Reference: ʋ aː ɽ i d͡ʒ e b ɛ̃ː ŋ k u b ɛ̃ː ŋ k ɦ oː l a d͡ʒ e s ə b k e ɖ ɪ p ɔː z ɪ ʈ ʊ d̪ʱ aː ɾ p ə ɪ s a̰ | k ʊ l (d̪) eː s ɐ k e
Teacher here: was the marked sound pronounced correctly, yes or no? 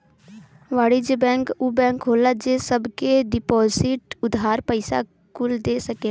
yes